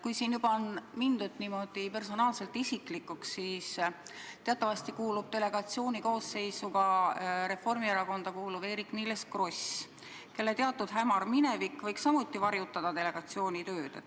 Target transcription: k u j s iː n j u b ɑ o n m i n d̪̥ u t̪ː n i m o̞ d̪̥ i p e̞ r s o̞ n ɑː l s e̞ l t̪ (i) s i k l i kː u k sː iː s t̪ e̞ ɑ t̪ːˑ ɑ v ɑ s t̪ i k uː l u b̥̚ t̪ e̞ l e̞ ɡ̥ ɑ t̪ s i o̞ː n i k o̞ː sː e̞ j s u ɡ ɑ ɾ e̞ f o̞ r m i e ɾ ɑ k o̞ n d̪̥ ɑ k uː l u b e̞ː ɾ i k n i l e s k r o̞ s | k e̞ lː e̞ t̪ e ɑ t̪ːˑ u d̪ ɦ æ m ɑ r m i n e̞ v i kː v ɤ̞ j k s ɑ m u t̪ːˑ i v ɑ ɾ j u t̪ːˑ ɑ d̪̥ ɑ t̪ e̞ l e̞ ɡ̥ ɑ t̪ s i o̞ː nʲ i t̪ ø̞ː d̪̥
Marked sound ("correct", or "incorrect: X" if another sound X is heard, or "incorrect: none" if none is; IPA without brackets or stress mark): correct